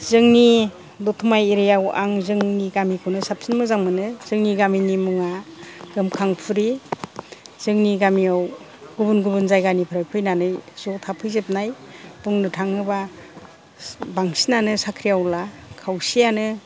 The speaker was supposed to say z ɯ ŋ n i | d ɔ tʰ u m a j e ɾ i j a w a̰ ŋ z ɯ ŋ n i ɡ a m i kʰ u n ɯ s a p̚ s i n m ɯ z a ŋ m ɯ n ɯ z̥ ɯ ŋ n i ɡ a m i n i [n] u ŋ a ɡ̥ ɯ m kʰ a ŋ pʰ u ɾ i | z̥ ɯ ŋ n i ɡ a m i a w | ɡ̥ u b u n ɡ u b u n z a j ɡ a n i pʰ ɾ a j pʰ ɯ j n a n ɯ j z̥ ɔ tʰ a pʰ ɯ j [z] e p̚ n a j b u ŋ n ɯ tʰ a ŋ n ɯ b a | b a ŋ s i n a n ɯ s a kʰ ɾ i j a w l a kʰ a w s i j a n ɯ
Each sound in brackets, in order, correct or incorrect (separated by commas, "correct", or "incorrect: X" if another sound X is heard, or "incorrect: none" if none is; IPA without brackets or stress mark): incorrect: m, correct